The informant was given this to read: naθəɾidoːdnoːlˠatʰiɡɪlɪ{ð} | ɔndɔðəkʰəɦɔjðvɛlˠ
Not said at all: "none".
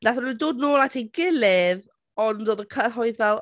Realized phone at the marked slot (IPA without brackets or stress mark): ð